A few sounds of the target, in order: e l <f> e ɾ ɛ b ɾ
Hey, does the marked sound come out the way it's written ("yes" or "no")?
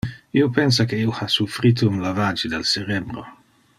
no